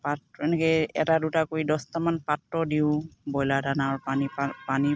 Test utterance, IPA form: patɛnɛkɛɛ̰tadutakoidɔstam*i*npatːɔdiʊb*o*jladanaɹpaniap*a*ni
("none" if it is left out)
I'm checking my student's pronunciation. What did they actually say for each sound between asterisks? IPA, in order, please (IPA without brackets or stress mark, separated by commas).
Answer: a, ɔ, a